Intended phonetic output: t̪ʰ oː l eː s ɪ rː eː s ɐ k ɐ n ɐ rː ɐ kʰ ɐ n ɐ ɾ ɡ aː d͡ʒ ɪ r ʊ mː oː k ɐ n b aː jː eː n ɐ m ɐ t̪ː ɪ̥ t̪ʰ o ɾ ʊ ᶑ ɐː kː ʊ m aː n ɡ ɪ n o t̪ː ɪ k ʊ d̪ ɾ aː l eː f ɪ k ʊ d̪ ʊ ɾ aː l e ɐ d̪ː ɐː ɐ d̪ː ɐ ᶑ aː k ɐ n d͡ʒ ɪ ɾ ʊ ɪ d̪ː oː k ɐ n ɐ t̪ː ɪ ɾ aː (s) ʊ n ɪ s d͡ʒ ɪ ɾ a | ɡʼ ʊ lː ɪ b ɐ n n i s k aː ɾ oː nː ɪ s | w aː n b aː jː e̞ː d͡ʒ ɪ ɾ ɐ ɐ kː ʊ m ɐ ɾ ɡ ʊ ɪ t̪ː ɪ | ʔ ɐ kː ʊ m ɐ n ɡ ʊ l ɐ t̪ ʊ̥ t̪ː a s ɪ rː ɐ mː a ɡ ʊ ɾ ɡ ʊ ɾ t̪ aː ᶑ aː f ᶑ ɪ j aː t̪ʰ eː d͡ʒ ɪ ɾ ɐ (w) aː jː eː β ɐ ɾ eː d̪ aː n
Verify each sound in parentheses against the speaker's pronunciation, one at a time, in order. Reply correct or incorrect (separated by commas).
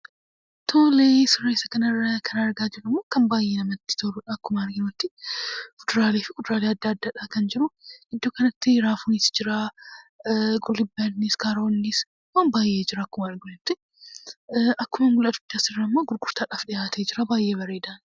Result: incorrect, incorrect